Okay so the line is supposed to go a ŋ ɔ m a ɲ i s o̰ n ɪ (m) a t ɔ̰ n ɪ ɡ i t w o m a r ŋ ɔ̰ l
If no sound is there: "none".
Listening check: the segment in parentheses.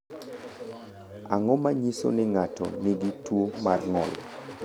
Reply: ŋ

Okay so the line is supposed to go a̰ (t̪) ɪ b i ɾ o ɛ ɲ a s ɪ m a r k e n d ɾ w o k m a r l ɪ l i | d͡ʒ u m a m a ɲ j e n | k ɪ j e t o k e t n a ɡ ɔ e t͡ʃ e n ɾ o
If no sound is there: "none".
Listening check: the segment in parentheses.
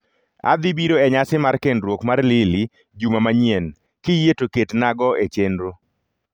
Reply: d̪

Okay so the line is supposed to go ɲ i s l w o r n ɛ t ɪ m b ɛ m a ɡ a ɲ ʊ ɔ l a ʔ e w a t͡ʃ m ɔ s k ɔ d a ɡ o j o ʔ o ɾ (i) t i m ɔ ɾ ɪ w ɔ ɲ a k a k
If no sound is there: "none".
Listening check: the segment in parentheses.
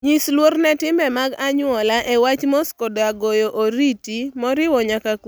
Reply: i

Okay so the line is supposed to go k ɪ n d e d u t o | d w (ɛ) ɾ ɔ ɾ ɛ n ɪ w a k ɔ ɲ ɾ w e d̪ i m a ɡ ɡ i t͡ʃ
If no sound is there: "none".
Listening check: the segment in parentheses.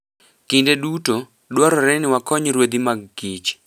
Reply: a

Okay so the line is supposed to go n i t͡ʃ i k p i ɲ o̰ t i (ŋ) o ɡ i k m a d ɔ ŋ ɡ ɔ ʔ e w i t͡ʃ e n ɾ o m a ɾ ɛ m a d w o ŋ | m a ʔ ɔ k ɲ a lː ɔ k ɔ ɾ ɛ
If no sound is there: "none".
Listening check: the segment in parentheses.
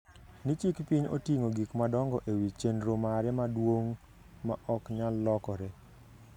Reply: ŋ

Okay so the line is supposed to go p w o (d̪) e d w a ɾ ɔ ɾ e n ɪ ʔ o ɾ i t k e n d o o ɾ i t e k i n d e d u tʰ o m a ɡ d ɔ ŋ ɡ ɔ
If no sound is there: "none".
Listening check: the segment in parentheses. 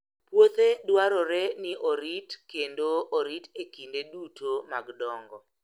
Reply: t̪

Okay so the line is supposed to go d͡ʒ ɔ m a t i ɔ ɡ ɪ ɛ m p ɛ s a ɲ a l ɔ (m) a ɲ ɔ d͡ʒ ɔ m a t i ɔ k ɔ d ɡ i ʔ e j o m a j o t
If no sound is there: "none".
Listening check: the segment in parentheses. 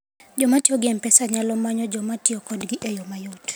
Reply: m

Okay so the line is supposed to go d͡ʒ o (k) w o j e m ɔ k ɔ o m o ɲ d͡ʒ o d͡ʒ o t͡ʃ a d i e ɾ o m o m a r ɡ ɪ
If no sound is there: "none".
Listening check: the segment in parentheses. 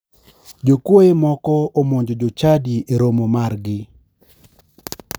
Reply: k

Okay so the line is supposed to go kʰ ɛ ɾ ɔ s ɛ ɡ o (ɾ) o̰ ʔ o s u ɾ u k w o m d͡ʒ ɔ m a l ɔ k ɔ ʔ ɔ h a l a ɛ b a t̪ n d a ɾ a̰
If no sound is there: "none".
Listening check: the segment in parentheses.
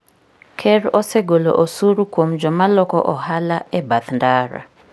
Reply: l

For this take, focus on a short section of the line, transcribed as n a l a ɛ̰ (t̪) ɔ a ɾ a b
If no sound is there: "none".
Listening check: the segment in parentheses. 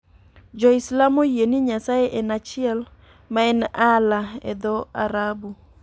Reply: d̪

